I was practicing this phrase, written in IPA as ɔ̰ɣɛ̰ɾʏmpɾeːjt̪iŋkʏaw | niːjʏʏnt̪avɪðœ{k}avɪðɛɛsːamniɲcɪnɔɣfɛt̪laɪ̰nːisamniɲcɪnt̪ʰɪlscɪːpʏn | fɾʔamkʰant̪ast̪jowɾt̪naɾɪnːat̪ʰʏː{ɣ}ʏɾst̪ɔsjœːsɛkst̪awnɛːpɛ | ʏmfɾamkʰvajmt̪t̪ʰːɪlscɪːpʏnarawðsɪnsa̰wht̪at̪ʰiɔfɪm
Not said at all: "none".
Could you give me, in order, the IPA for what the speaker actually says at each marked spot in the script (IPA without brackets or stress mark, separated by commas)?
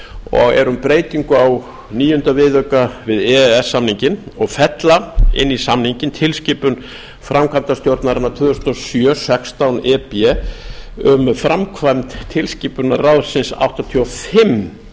k, ð